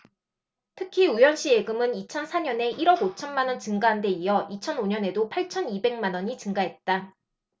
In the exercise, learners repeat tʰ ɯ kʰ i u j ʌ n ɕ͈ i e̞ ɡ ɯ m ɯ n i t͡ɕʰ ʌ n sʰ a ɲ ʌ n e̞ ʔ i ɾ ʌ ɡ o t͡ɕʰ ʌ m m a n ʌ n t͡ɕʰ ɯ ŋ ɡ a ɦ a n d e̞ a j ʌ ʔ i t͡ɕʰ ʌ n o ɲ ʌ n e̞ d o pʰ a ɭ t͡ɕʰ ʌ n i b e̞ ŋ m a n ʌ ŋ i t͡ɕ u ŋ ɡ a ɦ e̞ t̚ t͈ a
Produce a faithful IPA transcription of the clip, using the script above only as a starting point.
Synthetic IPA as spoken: tʰ ɯ kʰ i u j ʌ n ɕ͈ i e̞ ɡ ɯ m ɯ n i t͡ɕʰ ʌ n sʰ a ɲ ʌ n e̞ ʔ i ɾ ʌ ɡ o t͡ɕʰ ʌ n m a n ʌ n t͡ɕ ɯ ŋ ɡ a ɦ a n d e̞ i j ʌ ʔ i t͡ɕʰ ʌ n o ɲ ʌ n e̞ d o pʰ a ɭ t͡ɕʰ ʌ n i b e̞ ŋ m a n ʌ ɲ i t͡ɕ ɯ ŋ ɡ a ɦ e̞ t̚ t͈ a